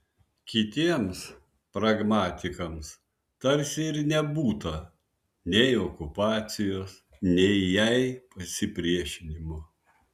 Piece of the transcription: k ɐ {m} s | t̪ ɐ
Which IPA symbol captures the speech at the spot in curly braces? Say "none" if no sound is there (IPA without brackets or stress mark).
m